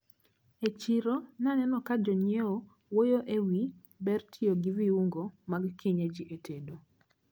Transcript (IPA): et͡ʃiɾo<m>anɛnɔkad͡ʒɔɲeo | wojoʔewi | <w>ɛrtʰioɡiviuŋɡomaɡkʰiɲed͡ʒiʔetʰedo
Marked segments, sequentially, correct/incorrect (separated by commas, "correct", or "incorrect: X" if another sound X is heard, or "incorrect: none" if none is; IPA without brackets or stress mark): incorrect: n, incorrect: b